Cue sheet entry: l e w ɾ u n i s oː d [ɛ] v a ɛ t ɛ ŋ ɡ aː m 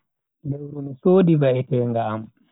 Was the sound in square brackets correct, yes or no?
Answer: no